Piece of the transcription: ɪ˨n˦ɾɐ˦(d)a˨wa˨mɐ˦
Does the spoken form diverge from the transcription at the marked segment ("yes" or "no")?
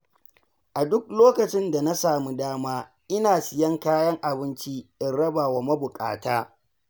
yes